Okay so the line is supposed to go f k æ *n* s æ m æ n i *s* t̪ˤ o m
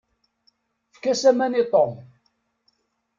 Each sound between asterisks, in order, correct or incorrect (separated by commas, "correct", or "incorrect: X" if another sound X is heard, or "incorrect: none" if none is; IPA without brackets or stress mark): incorrect: none, incorrect: none